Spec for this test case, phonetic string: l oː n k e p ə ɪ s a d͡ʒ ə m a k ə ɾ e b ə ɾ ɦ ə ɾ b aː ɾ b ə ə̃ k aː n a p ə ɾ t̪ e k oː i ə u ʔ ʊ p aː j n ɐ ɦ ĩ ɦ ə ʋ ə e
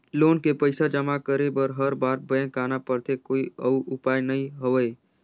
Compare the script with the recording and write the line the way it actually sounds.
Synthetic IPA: l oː n k e p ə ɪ s a d͡ʒ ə m a k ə ɾ e b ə ɾ ɦ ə ɾ b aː ɾ b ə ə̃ k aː n a p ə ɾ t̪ e k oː i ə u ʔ ʊ p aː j n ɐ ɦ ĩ ɦ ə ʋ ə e